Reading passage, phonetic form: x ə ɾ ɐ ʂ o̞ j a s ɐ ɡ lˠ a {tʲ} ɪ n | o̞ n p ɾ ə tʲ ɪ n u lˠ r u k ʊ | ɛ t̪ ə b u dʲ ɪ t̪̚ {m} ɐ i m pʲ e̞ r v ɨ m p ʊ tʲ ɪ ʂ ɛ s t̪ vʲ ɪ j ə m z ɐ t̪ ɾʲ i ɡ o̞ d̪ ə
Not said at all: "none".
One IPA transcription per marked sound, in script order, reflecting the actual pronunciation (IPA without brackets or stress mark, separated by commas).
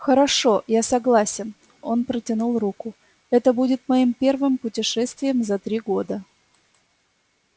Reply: sʲ, m